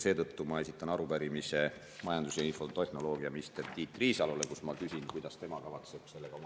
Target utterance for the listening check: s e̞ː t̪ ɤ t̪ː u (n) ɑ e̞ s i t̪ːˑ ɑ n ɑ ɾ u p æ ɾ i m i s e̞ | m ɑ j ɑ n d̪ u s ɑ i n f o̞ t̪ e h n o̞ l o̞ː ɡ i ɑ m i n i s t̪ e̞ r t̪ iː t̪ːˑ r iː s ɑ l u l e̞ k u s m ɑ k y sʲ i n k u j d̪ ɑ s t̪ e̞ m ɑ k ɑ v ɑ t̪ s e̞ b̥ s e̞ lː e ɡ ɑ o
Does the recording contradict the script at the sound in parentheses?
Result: yes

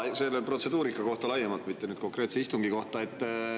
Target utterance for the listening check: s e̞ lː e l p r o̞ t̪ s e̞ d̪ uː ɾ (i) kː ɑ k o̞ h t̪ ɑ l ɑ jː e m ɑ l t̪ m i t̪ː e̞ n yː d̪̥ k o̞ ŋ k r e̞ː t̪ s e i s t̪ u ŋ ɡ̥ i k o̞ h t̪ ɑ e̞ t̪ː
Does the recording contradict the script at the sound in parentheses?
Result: no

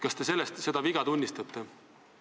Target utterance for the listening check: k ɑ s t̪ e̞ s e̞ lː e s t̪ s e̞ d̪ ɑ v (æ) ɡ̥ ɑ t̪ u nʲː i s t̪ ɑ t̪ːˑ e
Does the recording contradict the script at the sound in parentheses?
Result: yes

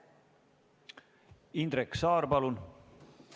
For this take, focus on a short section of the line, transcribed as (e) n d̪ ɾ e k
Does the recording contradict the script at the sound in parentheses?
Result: yes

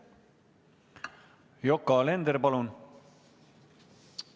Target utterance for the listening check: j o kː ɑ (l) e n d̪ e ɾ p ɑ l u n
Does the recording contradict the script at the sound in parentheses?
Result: no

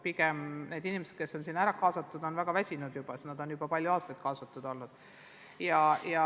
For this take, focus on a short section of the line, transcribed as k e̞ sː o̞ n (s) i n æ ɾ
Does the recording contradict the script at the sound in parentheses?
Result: no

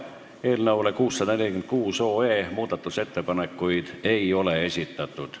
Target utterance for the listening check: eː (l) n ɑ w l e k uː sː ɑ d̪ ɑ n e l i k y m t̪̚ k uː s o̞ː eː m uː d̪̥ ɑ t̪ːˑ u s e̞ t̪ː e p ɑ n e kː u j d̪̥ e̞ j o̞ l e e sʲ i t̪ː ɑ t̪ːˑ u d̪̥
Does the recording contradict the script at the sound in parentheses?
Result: no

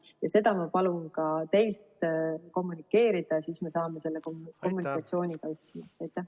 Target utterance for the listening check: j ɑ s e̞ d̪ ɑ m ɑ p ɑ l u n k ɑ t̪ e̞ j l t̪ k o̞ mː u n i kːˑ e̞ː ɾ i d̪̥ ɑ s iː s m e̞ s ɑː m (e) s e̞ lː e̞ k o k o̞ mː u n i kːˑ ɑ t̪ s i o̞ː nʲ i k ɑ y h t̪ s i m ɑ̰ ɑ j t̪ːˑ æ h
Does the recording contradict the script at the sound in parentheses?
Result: no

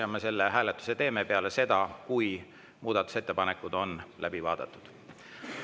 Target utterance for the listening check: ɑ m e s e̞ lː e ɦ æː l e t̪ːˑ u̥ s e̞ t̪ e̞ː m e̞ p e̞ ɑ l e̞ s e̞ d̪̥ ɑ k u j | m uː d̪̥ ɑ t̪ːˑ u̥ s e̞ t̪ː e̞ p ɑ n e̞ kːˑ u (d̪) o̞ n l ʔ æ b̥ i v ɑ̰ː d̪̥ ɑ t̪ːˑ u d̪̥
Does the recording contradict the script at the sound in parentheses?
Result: no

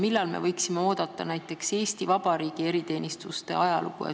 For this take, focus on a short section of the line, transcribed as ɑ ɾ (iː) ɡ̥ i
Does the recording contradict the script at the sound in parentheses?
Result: no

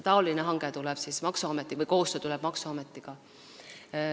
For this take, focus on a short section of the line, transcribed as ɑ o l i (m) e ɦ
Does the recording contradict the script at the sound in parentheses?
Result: yes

